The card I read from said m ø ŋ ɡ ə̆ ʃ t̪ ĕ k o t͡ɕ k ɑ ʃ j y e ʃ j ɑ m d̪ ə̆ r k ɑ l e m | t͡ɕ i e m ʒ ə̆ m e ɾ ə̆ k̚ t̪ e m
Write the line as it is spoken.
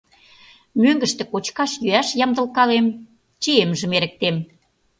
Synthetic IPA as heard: m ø ŋ ɡ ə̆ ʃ t̪ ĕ k o t͡ɕ k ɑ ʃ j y æ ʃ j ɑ m d̪ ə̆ l k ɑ l e m | t͡ɕ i e m ʒ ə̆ m e ɾ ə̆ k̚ t̪ e m